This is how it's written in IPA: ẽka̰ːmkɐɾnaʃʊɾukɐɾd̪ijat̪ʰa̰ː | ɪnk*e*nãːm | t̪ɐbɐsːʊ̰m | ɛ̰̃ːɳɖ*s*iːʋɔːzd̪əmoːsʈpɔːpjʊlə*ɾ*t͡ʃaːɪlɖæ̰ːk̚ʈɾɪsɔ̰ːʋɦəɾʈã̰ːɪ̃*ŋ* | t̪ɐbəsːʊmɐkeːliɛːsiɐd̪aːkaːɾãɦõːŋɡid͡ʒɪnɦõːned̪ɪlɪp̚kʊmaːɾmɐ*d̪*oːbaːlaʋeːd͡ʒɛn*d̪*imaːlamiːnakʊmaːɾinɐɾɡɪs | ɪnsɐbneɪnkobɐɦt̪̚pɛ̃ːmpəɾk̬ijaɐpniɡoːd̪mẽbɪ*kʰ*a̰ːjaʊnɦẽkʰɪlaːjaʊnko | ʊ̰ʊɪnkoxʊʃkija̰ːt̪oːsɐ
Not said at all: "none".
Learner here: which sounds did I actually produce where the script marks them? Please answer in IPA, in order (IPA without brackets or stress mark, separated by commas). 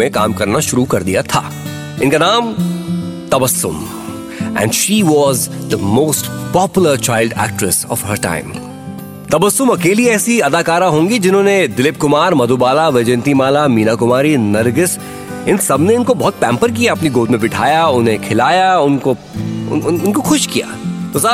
a, ʃ, ɾ, m, d̪, t̪, ʈʰ